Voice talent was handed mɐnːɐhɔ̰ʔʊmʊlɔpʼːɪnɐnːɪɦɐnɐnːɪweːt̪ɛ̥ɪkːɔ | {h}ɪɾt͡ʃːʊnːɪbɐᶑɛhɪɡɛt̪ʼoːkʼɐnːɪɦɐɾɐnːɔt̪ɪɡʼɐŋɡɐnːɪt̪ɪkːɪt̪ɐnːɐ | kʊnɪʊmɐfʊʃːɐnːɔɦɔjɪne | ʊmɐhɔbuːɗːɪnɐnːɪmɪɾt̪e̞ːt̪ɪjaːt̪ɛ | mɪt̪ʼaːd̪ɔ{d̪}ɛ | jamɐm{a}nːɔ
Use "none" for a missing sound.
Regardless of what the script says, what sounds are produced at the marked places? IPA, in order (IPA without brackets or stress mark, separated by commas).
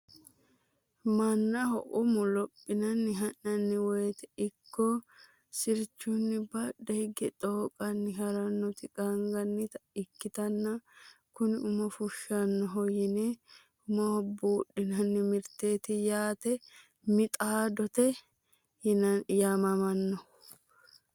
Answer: s, t̪, ɐ